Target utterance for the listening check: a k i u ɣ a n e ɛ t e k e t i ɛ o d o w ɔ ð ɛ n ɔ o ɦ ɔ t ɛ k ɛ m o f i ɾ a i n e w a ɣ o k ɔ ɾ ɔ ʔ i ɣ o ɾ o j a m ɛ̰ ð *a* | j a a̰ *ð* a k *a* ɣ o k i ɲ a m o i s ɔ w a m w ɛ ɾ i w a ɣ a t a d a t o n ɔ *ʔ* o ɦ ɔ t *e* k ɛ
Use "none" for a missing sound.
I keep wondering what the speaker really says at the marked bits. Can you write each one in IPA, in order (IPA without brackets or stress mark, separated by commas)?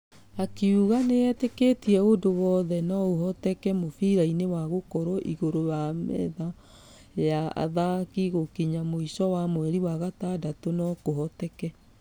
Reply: a, ð, i, k, ɛ